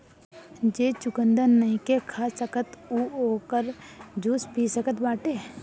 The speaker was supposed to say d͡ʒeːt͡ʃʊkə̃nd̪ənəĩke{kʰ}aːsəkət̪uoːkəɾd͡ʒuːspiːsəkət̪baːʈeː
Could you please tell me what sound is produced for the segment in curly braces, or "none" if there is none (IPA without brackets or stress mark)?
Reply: kʰ